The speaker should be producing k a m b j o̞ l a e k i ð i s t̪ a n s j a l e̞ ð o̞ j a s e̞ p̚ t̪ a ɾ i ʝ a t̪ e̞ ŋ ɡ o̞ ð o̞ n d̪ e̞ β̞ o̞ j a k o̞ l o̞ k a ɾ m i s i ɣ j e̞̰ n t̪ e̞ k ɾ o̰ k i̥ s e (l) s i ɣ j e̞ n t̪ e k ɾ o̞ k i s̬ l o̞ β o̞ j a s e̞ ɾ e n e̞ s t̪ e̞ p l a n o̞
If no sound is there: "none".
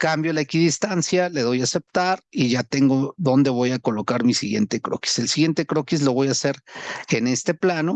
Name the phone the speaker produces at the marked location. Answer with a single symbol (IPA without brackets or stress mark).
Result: l